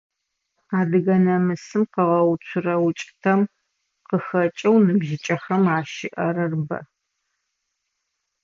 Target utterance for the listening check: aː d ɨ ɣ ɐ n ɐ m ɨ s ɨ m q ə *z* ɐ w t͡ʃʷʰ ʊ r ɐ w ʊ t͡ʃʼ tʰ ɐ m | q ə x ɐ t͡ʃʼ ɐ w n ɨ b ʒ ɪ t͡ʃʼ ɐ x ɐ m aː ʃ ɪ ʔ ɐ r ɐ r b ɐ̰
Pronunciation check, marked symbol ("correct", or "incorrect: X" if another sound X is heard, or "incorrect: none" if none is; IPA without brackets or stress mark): incorrect: ʁ